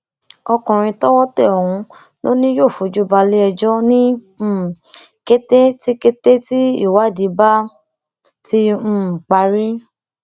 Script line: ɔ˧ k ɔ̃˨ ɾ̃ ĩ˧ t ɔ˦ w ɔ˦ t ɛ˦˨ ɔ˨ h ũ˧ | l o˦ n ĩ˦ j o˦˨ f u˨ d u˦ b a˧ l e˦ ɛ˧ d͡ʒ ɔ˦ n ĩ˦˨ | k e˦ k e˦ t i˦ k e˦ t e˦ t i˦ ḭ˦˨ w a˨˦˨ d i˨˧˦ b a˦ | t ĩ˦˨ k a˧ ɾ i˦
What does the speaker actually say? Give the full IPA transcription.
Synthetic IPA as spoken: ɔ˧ k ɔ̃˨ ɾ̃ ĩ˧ t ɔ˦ w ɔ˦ t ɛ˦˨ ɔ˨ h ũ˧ | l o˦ n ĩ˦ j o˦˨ f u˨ d͡ʒ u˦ b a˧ l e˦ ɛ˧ d͡ʒ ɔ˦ n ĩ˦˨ | k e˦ t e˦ t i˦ k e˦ t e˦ t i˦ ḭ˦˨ w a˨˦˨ d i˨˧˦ b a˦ | t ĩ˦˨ k͡p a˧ ɾ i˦